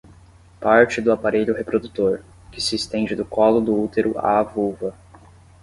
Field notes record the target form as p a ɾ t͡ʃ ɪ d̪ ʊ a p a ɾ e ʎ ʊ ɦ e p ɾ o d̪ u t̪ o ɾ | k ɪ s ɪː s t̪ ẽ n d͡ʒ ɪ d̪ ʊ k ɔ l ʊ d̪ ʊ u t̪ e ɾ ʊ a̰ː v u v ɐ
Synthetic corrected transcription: p a ɾ t͡ʃ ɪ d̪ ʊ a p a ɾ e ʎ ʊ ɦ e p ɾ o d̪ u t̪ o ɾ | k ɪ s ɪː s t̪ ẽ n d͡ʒ ɪ d̪ ʊ k ɔ l ʊ d̪ ʊ u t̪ e ɾ ʊ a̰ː v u v ɐ